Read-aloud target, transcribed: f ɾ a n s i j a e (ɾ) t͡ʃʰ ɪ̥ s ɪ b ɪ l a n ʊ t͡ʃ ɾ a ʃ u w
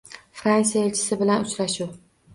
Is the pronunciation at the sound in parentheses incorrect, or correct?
incorrect